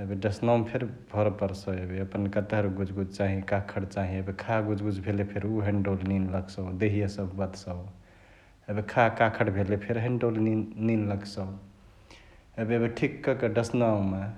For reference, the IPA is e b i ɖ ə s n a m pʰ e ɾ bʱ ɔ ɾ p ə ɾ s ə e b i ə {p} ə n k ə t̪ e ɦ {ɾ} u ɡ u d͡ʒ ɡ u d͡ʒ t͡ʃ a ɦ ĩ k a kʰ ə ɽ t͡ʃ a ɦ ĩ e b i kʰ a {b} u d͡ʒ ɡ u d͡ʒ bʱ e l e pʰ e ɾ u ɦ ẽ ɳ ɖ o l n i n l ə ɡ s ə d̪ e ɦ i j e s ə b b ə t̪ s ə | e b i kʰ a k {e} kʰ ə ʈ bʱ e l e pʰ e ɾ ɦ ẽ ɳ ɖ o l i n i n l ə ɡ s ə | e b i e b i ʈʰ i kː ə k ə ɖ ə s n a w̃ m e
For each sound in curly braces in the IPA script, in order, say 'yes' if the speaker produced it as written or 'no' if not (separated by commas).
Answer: yes, yes, no, no